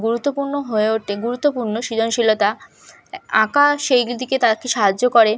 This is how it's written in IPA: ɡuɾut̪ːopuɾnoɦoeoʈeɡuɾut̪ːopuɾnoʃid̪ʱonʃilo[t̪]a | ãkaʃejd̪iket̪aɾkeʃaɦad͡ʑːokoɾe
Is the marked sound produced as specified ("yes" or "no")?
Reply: yes